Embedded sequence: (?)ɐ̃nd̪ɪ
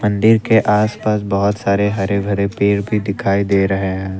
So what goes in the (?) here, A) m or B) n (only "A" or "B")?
A